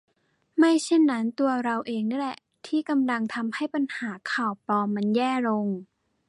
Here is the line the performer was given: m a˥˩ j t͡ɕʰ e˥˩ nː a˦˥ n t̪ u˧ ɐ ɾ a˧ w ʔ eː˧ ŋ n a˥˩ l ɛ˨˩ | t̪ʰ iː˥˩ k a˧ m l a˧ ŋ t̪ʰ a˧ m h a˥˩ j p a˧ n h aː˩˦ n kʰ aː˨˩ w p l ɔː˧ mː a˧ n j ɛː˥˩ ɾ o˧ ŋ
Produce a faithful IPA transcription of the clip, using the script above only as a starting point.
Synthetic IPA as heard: m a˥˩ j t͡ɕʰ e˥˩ nː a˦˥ n t̪ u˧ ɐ ɾ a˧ w ʔ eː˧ ŋ n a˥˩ l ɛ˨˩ | t̪ʰ iː˥˩ k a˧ m l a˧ ŋ t̪ʰ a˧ m h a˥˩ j p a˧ n h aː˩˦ kʰ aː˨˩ w p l ɔː˧ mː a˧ n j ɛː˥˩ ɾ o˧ ŋ